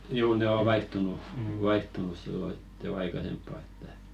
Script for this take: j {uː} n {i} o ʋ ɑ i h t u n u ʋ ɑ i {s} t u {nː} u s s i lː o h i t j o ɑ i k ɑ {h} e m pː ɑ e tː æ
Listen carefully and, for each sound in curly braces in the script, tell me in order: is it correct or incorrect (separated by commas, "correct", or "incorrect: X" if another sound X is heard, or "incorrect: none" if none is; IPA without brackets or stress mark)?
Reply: correct, incorrect: e, incorrect: h, incorrect: n, incorrect: s